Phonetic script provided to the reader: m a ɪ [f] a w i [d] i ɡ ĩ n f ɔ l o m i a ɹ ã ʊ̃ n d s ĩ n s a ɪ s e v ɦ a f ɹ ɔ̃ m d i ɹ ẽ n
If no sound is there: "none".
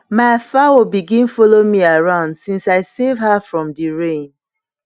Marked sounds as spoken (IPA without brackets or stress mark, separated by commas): f, b